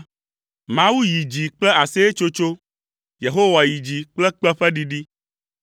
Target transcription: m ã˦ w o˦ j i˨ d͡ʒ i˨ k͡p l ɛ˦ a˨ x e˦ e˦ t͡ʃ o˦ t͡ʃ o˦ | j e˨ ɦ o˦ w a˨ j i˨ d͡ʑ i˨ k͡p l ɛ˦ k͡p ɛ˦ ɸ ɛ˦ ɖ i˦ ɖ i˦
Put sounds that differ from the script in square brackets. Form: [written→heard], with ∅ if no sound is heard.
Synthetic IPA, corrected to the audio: m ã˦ w [o˦→u˦] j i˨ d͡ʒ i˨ k͡p l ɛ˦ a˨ [x→s] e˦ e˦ t͡ʃ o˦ t͡ʃ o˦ | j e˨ ɦ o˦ w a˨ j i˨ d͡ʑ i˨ k͡p l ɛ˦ k͡p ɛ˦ ɸ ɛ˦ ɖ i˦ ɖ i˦